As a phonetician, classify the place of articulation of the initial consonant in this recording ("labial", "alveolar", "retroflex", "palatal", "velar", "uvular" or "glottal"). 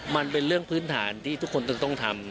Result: labial